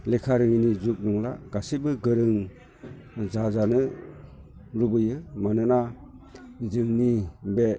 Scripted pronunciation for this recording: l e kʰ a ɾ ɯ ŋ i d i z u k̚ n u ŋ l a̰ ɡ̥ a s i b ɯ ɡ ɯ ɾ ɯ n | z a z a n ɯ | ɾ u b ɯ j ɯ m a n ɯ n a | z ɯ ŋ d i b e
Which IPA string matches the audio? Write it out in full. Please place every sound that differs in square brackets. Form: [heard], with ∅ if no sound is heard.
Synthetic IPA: l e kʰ a ɾ ɯ ŋ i [n] i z u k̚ n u ŋ l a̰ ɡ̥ a s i b ɯ ɡ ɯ ɾ ɯ [ŋ] | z a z a n ɯ | ɾ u b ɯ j ɯ m a n ɯ n a | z ɯ ŋ [n] i b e